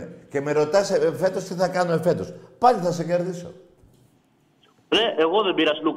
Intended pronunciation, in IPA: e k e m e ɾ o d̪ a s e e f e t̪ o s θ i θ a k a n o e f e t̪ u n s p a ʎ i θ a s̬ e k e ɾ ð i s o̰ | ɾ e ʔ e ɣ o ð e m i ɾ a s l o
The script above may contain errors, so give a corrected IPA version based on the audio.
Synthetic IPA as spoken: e k e m e ɾ o t̪ a s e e f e t̪ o s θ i θ a k a n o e f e t̪ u s p a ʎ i θ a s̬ e k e ɾ ð i s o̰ | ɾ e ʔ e ɣ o ð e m i ɾ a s l u